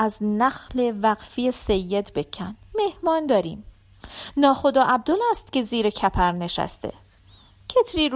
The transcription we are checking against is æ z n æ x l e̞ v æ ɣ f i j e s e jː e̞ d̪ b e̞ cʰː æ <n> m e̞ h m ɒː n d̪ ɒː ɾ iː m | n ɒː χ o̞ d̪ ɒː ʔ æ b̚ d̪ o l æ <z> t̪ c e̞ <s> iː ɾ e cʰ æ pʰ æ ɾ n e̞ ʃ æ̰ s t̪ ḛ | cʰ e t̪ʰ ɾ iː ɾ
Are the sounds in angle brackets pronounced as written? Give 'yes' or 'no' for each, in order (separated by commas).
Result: yes, no, no